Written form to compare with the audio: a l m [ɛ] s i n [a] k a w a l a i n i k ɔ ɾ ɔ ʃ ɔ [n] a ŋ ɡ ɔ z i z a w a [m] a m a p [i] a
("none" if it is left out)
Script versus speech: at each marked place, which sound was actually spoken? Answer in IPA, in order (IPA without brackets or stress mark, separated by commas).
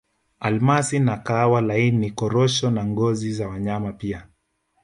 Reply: a, a, n, ɲ, i